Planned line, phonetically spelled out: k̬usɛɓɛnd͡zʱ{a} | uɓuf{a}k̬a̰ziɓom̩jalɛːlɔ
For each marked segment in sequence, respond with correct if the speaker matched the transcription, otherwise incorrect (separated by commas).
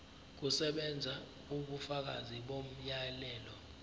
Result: correct, correct